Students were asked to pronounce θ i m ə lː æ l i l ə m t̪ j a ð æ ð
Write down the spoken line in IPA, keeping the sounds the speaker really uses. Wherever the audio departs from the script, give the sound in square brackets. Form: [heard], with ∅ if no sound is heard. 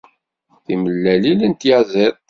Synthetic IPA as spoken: θ i m ə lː æ l i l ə [n] t̪ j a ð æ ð